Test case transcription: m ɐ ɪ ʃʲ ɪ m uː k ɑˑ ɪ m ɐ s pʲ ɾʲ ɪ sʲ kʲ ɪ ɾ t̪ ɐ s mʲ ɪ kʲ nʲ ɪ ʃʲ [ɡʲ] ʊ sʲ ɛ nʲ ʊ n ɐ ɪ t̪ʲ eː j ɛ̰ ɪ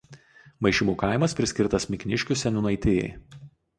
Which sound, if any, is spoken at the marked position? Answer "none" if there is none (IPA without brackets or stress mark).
kʲ